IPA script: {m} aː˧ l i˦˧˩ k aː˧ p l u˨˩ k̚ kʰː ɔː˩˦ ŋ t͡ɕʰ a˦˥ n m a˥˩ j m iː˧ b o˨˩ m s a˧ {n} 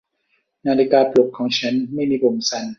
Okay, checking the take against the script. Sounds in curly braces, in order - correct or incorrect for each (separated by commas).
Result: incorrect, correct